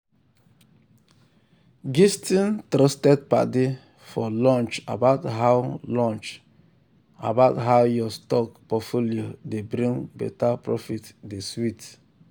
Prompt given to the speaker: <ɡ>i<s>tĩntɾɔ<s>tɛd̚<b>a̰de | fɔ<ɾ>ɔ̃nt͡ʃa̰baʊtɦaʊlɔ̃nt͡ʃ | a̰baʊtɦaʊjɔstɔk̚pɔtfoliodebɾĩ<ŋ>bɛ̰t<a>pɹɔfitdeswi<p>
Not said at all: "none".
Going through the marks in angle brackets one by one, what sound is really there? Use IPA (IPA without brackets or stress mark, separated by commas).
ɡ, s, s, p, l, ŋ, a, t